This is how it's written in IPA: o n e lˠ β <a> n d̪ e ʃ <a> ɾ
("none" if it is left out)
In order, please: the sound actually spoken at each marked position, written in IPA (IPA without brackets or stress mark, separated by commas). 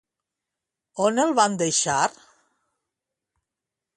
a, a